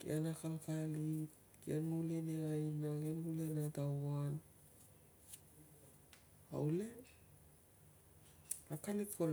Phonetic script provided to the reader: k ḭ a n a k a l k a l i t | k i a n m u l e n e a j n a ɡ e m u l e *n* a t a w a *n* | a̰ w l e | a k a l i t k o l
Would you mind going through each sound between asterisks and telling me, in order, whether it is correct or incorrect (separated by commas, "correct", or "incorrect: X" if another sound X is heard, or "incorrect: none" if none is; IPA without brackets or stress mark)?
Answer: correct, correct